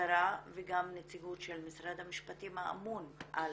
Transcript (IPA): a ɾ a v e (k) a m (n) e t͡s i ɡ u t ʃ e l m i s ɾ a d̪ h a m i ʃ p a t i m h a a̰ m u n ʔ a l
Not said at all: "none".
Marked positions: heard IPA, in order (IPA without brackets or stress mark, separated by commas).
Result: ɡ, n